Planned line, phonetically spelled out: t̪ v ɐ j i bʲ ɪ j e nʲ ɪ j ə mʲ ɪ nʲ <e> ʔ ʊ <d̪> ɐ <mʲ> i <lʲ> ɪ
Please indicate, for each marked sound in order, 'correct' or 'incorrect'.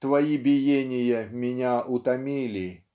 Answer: incorrect: a, incorrect: t̪, correct, correct

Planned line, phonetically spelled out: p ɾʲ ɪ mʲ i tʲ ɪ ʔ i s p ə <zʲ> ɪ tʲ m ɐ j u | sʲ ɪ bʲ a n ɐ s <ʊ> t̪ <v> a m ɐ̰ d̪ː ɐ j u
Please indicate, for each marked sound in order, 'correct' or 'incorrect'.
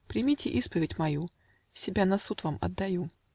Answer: incorrect: vʲ, incorrect: u, correct

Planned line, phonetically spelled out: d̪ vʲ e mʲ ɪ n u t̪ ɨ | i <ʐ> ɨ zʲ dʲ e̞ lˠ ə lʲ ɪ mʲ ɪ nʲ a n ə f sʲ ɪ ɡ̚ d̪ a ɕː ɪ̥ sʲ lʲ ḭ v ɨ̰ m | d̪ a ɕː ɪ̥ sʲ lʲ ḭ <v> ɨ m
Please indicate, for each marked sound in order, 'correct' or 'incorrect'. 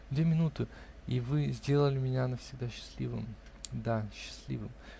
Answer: incorrect: v, correct

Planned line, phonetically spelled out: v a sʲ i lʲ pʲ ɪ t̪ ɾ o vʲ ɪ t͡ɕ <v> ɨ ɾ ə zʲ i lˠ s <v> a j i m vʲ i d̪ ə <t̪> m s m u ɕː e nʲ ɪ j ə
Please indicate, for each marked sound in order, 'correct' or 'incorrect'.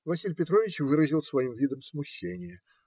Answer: correct, correct, incorrect: none

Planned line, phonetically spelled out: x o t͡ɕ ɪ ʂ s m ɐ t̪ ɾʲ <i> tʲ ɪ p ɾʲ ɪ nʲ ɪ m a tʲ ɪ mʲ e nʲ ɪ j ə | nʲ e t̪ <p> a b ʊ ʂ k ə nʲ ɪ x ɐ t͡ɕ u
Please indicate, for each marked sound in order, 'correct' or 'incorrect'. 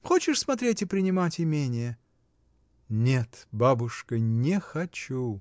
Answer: incorrect: e, incorrect: b

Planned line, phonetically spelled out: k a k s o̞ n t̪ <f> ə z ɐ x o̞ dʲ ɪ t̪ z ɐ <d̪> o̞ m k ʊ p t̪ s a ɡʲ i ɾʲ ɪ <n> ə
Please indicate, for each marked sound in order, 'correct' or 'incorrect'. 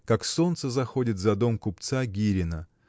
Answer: incorrect: s, correct, correct

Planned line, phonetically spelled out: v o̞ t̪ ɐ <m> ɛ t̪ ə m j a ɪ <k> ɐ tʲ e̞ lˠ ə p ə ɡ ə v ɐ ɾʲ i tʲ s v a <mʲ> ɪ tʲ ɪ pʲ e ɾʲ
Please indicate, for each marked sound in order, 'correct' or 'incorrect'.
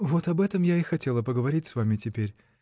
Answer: incorrect: b, incorrect: x, correct

